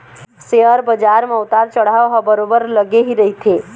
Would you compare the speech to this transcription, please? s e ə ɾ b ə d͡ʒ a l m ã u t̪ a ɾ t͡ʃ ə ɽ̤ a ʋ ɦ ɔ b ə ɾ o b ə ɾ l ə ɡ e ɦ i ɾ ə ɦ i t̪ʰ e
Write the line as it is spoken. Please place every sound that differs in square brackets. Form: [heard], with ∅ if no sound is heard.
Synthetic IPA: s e ə ɾ b ə d͡ʒ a [ɾ] m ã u t̪ a ɾ t͡ʃ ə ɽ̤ a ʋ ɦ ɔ b ə ɾ o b ə ɾ l ə ɡ e ɦ i ɾ ə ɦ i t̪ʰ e